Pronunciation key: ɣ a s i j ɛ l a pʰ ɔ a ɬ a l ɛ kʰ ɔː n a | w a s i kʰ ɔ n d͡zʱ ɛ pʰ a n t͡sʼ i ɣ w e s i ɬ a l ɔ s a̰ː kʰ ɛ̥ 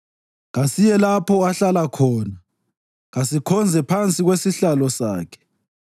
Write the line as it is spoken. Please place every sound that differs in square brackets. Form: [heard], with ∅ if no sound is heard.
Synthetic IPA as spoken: ɣ a s i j ɛ l a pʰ ɔ a ɬ a l [a] kʰ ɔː n a | [ɣ] a s i kʰ ɔ n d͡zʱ ɛ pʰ a n t͡sʼ i ɣ w e s i ɬ a l ɔ s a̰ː kʰ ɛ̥